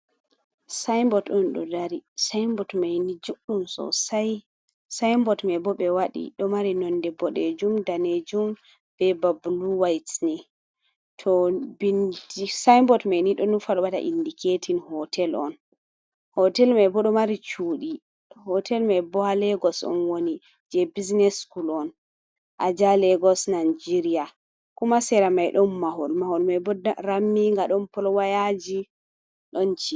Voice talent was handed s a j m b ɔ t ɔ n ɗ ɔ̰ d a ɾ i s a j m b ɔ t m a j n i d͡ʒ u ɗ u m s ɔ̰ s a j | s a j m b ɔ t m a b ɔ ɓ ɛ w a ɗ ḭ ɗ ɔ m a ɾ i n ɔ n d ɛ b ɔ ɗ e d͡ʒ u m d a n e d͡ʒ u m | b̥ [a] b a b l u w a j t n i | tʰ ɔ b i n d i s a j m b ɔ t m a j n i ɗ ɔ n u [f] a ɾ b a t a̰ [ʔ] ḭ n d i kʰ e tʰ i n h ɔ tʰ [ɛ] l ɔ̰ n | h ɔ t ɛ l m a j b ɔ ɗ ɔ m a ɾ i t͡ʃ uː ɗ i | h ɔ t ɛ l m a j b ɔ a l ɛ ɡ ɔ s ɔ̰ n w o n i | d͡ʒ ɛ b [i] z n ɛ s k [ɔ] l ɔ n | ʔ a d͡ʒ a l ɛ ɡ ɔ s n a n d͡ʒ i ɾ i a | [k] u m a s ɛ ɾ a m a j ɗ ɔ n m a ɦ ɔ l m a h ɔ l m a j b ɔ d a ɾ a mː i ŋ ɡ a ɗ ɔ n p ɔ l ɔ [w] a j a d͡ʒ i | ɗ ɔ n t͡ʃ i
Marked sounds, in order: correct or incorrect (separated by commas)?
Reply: incorrect, correct, correct, correct, correct, incorrect, correct, correct